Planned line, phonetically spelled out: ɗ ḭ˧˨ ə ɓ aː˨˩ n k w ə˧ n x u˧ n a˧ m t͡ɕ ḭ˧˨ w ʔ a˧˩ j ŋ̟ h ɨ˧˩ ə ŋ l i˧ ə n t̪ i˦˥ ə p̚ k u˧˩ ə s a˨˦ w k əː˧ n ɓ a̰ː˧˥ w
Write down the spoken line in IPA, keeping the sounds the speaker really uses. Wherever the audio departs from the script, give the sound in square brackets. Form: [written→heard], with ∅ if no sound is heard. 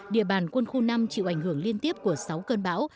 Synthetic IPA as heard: ɗ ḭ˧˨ ə ɓ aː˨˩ n k w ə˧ n x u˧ n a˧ m t͡ɕ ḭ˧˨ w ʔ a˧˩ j ŋ̟ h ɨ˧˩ ə ŋ l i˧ ə n t̪ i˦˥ ə p̚ k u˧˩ ə s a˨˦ w k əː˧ n ɓ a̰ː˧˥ w